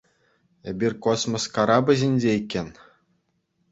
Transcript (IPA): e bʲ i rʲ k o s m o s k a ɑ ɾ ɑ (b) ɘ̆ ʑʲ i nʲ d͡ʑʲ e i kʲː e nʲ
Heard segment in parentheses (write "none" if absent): b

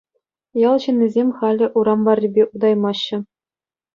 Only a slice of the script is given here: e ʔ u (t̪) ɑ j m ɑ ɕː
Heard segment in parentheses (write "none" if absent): d̪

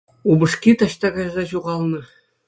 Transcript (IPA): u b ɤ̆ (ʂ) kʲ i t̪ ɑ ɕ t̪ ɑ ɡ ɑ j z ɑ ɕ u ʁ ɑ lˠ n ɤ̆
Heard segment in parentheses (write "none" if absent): ʂ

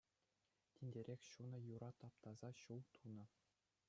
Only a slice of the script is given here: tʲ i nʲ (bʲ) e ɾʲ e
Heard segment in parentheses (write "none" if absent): dʲ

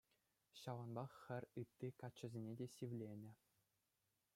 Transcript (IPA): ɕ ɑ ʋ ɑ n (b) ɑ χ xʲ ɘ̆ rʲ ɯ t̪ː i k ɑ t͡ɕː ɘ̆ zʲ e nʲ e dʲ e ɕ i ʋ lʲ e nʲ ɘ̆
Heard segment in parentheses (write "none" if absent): b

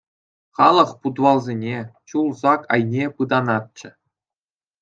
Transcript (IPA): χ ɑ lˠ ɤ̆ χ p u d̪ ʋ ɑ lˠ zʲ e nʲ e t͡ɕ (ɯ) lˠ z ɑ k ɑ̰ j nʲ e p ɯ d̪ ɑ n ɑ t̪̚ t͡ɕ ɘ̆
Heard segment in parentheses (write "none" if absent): u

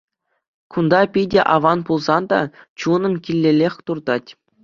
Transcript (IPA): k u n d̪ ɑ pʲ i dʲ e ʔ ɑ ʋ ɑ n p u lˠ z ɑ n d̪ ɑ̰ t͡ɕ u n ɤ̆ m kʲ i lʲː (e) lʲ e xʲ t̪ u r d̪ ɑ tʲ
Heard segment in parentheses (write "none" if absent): e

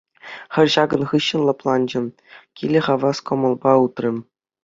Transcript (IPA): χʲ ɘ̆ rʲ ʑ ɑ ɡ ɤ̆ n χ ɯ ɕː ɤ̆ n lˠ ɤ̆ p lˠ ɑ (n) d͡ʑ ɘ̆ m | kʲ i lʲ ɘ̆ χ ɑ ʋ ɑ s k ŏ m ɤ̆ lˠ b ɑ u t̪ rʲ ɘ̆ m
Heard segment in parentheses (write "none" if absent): n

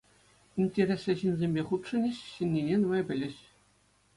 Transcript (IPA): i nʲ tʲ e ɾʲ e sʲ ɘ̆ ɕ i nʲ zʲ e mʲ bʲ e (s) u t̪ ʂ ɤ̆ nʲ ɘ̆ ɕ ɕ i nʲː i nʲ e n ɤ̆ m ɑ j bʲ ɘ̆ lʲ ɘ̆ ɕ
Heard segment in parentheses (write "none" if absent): χ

